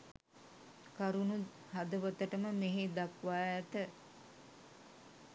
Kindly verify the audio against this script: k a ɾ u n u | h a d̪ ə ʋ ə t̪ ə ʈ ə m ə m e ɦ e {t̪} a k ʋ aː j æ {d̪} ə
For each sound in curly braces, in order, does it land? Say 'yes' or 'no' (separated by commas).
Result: no, no